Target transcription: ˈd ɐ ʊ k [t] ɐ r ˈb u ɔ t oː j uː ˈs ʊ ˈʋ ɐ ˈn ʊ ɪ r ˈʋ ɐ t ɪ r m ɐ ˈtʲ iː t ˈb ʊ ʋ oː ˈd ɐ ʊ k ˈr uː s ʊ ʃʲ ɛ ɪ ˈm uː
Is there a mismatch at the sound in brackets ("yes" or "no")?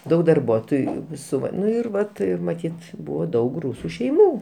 yes